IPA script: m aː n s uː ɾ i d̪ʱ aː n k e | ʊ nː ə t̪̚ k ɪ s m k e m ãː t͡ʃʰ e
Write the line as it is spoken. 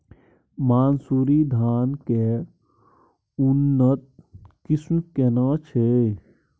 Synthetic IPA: m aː n s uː ɾ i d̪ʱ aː n k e | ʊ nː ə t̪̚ k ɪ s m k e n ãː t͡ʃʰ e

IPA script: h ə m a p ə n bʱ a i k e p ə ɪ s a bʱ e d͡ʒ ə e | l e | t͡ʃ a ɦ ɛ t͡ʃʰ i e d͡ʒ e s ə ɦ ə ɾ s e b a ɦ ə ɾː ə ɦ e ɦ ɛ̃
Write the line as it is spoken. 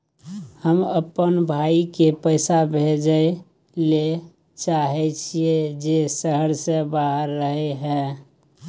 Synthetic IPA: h ə m ə p ə n bʱ a i k e p ə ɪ s a bʱ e d͡ʒ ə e | l e | t͡ʃ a ɦ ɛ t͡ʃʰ i e d͡ʒ e s ə ɦ ə ɾ s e b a ɦ ə ɾː ə ɦ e ɦ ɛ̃

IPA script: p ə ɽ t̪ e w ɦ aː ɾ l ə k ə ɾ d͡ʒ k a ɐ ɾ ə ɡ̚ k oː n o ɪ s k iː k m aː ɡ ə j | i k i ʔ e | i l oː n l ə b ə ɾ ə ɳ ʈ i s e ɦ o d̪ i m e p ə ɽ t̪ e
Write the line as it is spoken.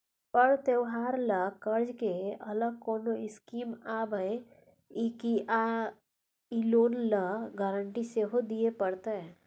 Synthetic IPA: p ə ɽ t̪ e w ɦ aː ɾ l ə k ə ɾ d͡ʒ k e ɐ l ə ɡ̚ k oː n o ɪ s k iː m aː b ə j | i k i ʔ a | i l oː n l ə ɡ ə ɾ ə ɳ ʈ i s e ɦ o d̪ i e p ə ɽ t̪ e

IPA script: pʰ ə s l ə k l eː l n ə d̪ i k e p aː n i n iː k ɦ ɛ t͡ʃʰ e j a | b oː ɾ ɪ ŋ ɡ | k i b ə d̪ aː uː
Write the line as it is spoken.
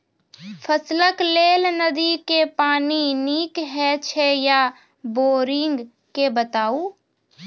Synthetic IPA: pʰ ə s l ə k l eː l n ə d̪ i k e p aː n i n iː k ɦ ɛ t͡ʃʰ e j a | b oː ɾ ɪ ŋ ɡ | k e b ə t̪ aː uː

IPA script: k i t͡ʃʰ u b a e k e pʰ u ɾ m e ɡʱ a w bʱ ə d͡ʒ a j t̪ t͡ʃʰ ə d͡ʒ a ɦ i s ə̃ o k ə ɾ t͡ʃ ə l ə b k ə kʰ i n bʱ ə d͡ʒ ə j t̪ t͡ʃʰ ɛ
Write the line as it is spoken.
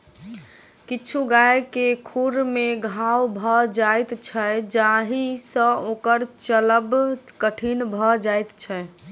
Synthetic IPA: k i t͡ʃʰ u ɡ a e k e kʰ u ɾ m e ɡʱ a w bʱ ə d͡ʒ a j t̪ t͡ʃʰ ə d͡ʒ a ɦ i s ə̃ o k ə ɾ t͡ʃ ə l ə b k ə ʈʰ i n bʱ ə d͡ʒ a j t̪ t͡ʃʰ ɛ

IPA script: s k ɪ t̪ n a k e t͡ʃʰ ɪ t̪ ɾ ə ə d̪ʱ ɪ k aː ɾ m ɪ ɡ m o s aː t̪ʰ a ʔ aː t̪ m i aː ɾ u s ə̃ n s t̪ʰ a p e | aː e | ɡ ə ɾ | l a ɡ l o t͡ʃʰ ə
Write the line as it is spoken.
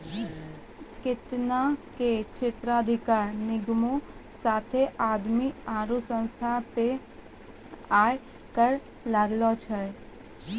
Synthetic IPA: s k ɪ t̪ n a k e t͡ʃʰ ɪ t̪ ɾ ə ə d̪ʱ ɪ k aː ɾ n ɪ ɡ m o s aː t̪ʰ e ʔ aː d̪ m i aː ɾ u s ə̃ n s t̪ʰ a p e | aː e | k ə ɾ | l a ɡ l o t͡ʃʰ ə

